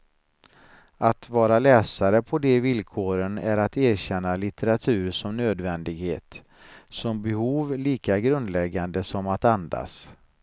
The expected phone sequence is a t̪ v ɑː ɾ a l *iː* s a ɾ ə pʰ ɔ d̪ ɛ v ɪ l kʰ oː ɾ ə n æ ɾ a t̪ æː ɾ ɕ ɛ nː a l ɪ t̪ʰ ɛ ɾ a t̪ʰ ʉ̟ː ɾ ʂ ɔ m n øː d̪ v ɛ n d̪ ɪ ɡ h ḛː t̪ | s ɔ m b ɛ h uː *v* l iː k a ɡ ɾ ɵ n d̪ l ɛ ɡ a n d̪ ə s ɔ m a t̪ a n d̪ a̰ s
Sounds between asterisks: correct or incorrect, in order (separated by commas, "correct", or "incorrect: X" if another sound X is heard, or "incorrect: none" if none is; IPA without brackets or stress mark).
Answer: incorrect: ɛː, correct